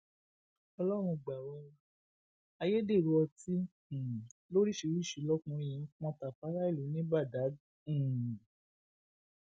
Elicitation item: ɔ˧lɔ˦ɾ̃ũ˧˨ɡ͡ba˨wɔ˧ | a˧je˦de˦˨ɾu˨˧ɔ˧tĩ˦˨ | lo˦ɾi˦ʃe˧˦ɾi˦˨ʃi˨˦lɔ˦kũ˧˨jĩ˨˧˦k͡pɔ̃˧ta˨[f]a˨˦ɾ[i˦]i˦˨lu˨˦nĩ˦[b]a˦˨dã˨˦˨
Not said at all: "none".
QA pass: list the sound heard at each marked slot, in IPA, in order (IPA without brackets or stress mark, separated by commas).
f, a˦, b